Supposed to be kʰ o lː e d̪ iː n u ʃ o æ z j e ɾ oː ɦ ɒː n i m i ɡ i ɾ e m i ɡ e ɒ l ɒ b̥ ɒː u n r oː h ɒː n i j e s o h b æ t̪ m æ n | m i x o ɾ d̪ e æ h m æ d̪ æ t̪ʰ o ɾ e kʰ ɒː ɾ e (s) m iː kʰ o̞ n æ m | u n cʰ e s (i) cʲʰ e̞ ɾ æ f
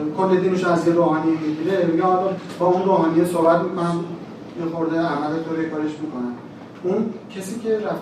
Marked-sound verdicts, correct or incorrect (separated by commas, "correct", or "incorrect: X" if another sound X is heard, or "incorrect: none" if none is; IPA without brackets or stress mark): incorrect: ʃ, incorrect: iː